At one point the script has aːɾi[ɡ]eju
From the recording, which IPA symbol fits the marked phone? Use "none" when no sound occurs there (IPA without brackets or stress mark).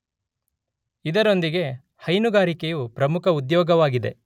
k